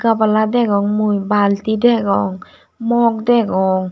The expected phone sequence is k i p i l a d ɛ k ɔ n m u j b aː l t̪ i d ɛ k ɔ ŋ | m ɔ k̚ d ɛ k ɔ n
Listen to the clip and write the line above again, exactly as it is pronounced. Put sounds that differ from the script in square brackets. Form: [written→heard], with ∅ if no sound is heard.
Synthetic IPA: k [i→a] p [i→a] l a d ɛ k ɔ [n→ŋ] m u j b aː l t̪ i d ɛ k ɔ ŋ | m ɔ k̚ d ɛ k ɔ [n→ŋ]